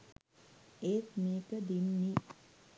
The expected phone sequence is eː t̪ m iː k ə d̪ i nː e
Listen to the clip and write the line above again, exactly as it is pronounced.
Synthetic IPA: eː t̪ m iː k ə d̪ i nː i